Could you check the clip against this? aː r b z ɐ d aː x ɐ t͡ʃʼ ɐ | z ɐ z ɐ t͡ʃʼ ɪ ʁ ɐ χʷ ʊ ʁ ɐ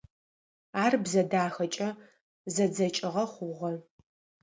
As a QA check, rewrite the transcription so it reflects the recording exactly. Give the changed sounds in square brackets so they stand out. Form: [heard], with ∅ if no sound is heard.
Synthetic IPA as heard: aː r b z ɐ d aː x ɐ t͡ʃʼ ɐ | z ɐ [d͡z] ɐ t͡ʃʼ ɪ ʁ ɐ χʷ ʊ ʁ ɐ